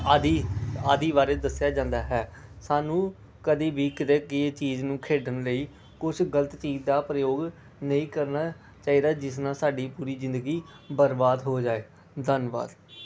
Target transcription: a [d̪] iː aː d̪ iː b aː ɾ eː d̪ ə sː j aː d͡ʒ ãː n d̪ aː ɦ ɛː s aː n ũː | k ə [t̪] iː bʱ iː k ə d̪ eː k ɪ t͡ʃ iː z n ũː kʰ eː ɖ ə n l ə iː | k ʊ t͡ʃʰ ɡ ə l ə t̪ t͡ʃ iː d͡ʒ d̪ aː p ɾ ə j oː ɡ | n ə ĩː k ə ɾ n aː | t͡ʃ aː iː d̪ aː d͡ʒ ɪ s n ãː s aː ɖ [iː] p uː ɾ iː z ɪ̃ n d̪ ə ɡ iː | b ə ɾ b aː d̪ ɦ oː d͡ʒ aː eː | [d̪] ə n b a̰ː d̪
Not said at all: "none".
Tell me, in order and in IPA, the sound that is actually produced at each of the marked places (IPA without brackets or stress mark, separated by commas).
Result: d̪, d̪, iː, d̪